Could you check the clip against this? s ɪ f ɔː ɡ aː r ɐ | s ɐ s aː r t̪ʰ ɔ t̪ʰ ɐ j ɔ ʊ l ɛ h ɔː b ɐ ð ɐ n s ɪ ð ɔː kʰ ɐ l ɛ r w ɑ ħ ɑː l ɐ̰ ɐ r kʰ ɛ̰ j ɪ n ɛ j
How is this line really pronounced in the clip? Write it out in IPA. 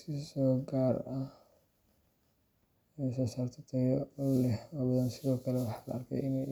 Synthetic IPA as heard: s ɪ s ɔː ɡ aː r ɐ | s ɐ s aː r t̪ʰ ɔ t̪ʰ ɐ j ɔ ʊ l ɛ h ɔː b ɐ ð ɐ n s ɪ ð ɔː kʰ ɐ l ɛ w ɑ ħ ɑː l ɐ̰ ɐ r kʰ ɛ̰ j ɪ n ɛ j